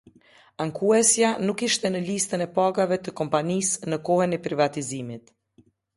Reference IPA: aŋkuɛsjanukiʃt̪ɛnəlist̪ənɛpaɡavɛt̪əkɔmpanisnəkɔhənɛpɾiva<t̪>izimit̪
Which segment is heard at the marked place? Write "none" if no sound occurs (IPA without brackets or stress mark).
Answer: t̪